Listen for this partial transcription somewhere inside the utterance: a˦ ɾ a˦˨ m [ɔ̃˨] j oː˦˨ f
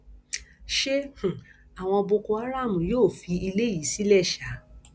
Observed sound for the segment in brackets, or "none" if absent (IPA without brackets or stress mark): ũ˨